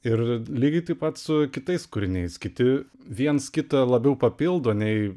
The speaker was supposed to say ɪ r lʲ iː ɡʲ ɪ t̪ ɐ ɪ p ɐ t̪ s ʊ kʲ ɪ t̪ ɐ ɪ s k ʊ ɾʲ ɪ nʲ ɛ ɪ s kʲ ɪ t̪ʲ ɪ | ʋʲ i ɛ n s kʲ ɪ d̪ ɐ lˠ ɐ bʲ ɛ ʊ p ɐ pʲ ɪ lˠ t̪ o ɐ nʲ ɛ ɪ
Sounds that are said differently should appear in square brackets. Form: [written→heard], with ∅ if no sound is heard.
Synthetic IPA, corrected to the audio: ɪ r lʲ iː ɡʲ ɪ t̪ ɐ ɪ p ɐ t̪ s ʊ kʲ ɪ t̪ ɐ ɪ s k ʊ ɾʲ ɪ nʲ ɛ ɪ s kʲ ɪ t̪ʲ ɪ | ʋʲ i ɛ n s kʲ ɪ [d̪→t̪] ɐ lˠ ɐ bʲ ɛ ʊ p ɐ pʲ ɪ lˠ [t̪→d̪] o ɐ nʲ ɛ ɪ